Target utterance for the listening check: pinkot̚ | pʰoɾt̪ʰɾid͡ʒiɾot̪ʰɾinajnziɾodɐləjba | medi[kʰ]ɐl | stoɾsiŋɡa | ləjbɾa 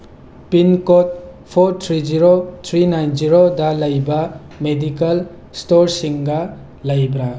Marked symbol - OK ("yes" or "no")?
no